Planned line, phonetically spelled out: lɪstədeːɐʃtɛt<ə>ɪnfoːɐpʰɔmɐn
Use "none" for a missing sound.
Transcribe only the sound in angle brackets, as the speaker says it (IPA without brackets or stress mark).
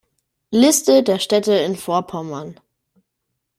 ə